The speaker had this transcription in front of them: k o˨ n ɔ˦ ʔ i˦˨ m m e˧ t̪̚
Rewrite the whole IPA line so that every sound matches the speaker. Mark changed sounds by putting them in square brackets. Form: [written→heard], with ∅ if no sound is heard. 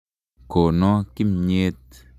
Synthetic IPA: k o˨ n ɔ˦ [ʔ→k] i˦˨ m [m→ɲ] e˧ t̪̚